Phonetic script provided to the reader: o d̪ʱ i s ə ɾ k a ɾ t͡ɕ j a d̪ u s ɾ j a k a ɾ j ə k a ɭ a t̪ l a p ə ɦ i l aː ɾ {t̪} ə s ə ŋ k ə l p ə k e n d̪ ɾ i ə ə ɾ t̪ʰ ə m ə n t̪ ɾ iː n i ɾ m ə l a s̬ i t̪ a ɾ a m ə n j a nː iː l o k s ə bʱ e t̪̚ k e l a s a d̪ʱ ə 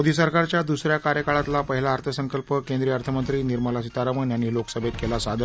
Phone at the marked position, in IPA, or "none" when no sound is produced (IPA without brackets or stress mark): t̪ʰ